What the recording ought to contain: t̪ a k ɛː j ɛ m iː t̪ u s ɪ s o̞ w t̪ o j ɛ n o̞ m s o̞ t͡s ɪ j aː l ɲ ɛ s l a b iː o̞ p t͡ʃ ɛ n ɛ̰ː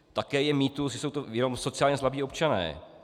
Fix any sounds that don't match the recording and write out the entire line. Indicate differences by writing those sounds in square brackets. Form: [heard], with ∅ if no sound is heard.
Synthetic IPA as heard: t̪ a k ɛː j ɛ m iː t̪ u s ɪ s o̞ w t̪ o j ɛ n o̞ m s o̞ t͡s ɪ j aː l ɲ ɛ s l a b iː o̞ p t͡ʃ [a] n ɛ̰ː

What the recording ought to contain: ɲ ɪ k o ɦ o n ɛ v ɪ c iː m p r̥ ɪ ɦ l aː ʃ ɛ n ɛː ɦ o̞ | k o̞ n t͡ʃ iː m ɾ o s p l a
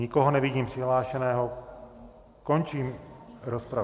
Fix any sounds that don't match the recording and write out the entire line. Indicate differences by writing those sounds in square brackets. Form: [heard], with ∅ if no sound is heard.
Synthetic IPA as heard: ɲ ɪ k o ɦ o n ɛ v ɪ [ɟ] iː m p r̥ ɪ ɦ l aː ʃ ɛ n ɛː ɦ o̞ | k o̞ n t͡ʃ iː m ɾ o s p [ɾ] a

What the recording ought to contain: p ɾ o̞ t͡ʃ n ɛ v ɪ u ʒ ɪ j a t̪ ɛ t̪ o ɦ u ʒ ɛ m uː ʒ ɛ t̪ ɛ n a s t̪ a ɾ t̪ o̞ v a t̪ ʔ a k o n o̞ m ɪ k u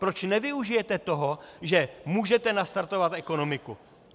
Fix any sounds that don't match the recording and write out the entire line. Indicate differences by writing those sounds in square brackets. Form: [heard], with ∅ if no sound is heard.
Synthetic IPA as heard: p ɾ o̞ t͡ʃ n ɛ v ɪ u ʒ ɪ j [ɛ] t̪ ɛ t̪ o ɦ [o] ʒ ɛ m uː ʒ ɛ t̪ ɛ n a s t̪ a ɾ t̪ o̞ v a t̪ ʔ [ɛ] k o n o̞ m ɪ k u

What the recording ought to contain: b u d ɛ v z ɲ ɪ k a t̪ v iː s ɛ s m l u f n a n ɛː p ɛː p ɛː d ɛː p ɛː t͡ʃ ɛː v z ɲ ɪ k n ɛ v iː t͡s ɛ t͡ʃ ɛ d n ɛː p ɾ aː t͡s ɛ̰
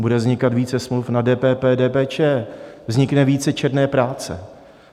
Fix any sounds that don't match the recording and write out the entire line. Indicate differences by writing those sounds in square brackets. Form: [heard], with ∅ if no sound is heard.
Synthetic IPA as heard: b u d ɛ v z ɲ ɪ k a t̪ v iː [t͡s] ɛ s m l u f n a [d] ɛː p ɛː p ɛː d ɛː p ɛː t͡ʃ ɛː v z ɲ ɪ k n ɛ v iː t͡s ɛ t͡ʃ ɛ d n ɛː p ɾ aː t͡s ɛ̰

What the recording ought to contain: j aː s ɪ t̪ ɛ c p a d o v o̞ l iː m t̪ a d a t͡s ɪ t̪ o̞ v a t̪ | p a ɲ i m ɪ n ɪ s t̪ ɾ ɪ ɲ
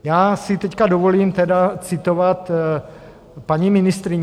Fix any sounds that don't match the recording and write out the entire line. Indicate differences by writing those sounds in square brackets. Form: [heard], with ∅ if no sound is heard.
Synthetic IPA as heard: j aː s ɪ t̪ ɛ c [k] a d o v o̞ l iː m t̪ [ɛ] d a t͡s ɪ t̪ o̞ v a t̪ | p a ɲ i m ɪ n ɪ s t̪ ɾ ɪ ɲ

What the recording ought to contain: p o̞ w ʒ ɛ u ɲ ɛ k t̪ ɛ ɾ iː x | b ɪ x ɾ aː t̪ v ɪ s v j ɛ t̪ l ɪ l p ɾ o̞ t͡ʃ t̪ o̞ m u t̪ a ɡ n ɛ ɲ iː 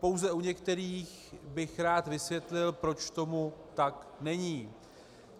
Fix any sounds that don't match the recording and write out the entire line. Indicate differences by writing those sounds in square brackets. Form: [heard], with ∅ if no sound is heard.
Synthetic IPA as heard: p o̞ w [z] ɛ u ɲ ɛ k t̪ ɛ ɾ iː x | b ɪ x ɾ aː t̪ v ɪ s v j ɛ t̪ l ɪ l p ɾ o̞ t͡ʃ t̪ o̞ m u t̪ a [k] n ɛ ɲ iː

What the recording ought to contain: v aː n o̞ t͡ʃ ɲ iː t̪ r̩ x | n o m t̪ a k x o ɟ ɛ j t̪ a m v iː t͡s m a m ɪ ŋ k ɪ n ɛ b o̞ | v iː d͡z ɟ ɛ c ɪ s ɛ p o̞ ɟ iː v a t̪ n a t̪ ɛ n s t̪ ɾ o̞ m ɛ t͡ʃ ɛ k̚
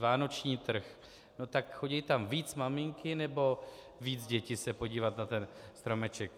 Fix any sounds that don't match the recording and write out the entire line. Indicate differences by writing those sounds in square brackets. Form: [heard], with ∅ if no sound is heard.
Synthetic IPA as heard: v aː n o̞ t͡ʃ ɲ iː t̪ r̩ x | n o [∅] t̪ a k x o ɟ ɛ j t̪ a m v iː t͡s m a m ɪ ŋ k ɪ n ɛ b o̞ | v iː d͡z ɟ ɛ c ɪ s ɛ p o̞ ɟ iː v a t̪ n a t̪ ɛ n s t̪ ɾ o̞ m ɛ t͡ʃ ɛ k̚

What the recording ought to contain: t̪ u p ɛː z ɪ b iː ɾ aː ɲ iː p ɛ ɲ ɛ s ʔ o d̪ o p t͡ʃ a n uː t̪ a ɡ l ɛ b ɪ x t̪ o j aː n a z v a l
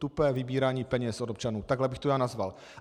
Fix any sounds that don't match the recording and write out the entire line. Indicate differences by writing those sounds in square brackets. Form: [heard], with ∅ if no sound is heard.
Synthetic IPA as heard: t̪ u p ɛː [v] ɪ b iː ɾ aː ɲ iː p ɛ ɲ ɛ s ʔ o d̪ o p t͡ʃ a n uː t̪ a ɡ l ɛ b ɪ x t̪ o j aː n a z v a l

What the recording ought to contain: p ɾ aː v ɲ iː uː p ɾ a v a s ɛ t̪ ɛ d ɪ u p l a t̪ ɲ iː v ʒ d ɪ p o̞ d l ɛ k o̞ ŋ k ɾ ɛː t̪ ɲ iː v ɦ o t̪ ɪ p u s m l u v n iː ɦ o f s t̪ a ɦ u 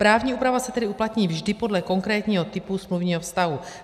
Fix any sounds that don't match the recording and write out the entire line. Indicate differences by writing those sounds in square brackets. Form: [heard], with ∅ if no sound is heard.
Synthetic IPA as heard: p ɾ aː v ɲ iː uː p ɾ a v a s ɛ t̪ ɛ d ɪ u p l a t̪ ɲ iː v ʒ d ɪ p o̞ d l ɛ k o̞ ŋ k ɾ ɛː t̪ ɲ iː [∅] ɦ o t̪ ɪ p u s m l u v [ɲ] iː ɦ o f s t̪ a ɦ u

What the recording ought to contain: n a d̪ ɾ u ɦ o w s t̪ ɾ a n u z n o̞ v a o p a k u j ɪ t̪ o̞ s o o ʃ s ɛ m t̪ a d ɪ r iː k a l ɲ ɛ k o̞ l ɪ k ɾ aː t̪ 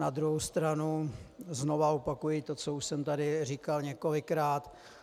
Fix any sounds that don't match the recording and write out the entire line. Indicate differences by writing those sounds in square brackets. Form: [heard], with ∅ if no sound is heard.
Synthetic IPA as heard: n a d̪ ɾ u ɦ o w s t̪ ɾ a n u z n o̞ v a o p a k u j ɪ t̪ o̞ [t͡s] o [u] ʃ s ɛ m t̪ a d ɪ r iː k a l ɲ ɛ k o̞ l ɪ k ɾ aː t̪

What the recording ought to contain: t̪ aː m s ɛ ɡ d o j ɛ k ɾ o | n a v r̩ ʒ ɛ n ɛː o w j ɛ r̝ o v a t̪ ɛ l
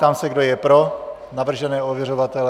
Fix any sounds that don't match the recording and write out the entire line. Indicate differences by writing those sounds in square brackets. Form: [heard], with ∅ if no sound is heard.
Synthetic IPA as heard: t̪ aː m s ɛ ɡ d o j ɛ [p] ɾ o | n a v r̩ ʒ ɛ n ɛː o [v] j ɛ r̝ o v a t̪ ɛ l

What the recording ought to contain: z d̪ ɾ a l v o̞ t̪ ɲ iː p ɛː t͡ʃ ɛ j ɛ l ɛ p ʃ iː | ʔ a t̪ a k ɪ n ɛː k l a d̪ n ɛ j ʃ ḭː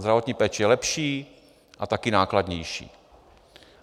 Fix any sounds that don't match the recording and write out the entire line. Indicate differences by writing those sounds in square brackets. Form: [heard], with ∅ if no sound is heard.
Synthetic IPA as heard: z d̪ ɾ a [∅] v o̞ t̪ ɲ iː p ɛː t͡ʃ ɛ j ɛ l ɛ p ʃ iː | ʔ a t̪ a k ɪ n [aː] k l a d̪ [ɲ] ɛ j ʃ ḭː

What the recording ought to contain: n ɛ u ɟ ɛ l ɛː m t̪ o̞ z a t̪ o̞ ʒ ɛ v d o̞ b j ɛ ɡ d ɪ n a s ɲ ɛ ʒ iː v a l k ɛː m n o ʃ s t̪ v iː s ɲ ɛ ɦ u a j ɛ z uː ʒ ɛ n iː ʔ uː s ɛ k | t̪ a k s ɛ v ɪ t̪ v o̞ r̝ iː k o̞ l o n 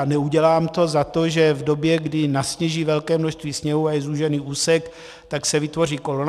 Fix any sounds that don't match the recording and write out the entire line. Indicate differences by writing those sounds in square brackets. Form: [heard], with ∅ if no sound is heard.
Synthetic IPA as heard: n ɛ u ɟ ɛ l [aː] m t̪ o̞ z a t̪ o̞ ʒ ɛ v d o̞ b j ɛ ɡ d ɪ n a s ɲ ɛ ʒ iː v [ɛ] l k ɛː m n o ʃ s t̪ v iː s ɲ ɛ ɦ u a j ɛ z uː ʒ ɛ n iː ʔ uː s ɛ k | t̪ a k s ɛ v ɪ t̪ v o̞ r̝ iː k o̞ l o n

